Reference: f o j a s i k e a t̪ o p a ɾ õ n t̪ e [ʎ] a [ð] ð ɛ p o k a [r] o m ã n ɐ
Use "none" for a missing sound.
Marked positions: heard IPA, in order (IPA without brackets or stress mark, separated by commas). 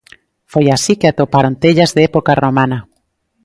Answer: ʎ, z, r